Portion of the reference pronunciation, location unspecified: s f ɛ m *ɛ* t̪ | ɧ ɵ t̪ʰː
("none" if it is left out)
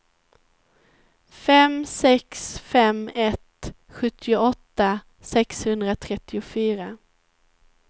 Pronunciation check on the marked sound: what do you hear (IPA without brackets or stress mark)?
ɛ